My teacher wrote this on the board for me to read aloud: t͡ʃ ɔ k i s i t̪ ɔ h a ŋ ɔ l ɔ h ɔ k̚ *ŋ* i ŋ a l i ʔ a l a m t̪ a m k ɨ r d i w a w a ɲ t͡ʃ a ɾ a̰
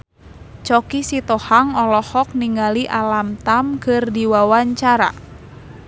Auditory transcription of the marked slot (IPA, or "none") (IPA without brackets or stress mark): n